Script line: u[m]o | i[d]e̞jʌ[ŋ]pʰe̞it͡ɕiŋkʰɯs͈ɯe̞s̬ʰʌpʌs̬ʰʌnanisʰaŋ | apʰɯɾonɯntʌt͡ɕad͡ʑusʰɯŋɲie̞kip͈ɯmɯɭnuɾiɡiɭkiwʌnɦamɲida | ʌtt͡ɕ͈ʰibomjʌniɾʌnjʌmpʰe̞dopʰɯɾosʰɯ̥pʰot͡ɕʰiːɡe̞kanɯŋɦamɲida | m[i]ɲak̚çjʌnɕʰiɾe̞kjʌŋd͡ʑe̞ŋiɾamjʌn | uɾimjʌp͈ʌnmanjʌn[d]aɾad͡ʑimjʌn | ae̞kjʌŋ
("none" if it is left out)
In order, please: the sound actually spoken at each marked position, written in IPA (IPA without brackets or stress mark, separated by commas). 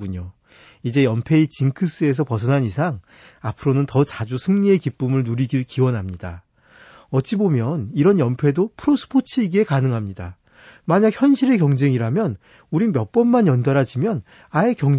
ɲ, d͡ʑ, m, a, d